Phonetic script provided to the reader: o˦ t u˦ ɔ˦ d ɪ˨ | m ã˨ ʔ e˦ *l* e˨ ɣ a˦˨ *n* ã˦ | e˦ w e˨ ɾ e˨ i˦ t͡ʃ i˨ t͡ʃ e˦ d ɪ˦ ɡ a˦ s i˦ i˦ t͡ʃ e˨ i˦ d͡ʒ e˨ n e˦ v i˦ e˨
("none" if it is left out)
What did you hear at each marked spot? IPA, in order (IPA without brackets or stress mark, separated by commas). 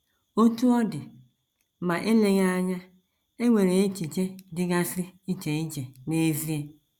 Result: l, ɲ